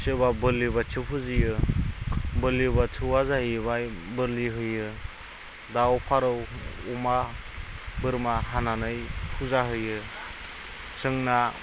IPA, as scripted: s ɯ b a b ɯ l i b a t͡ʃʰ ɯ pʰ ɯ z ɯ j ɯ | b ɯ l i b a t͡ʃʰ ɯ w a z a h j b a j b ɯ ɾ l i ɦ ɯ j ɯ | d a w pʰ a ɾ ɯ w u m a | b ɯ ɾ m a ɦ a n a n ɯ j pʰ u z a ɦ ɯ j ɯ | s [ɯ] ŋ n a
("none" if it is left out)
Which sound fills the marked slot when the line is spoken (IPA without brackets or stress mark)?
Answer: ɯ